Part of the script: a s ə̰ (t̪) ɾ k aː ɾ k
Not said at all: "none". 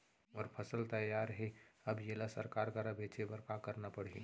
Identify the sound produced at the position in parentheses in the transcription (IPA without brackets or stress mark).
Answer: none